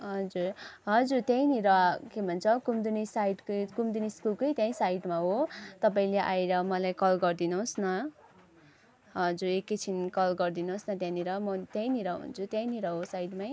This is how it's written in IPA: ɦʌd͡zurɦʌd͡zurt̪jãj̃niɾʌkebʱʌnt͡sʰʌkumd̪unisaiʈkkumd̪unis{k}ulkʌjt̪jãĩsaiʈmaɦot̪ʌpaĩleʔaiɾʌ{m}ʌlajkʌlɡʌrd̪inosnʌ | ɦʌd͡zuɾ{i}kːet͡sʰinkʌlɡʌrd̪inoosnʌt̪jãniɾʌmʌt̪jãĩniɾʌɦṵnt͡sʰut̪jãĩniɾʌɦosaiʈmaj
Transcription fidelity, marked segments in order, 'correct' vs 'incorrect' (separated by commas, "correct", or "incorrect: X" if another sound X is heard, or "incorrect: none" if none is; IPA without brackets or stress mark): correct, correct, incorrect: e